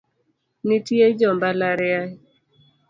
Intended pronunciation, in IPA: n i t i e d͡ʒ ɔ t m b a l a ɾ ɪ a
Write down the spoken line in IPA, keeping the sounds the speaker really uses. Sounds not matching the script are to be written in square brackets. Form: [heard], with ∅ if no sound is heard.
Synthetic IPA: n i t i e d͡ʒ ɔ [∅] m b a l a ɾ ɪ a

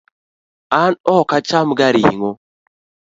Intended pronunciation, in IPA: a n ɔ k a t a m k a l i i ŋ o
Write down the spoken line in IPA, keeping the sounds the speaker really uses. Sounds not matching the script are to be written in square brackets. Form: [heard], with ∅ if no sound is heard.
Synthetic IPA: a n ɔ k a [t͡ʃ] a m [ɡ] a [ɾ] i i ŋ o

